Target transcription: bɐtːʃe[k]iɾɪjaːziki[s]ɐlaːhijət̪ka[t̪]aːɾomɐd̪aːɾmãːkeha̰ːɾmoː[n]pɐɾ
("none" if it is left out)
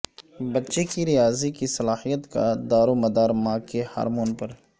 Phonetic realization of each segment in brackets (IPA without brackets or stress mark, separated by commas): k, s, d̪, n